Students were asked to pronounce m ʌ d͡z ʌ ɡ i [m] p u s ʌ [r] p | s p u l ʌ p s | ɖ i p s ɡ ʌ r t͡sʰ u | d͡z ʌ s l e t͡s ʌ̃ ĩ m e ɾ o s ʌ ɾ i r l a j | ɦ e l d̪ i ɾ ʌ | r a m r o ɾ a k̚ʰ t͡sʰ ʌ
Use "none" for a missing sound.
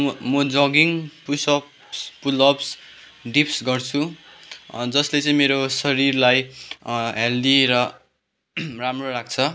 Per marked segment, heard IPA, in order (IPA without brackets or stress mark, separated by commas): ŋ, none